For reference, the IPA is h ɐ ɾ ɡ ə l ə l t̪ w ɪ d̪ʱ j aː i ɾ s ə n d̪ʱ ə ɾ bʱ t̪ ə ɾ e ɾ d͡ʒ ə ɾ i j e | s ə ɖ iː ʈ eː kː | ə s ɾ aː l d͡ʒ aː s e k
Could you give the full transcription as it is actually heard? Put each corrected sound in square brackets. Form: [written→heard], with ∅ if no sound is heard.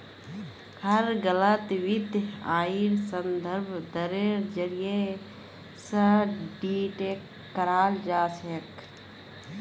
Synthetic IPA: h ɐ ɾ ɡ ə l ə [l→∅] t̪ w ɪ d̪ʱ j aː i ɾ s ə n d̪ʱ ə ɾ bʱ [t̪→d̪] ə ɾ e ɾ d͡ʒ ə ɾ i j e | s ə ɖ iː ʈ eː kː | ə [s→∅] ɾ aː l d͡ʒ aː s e k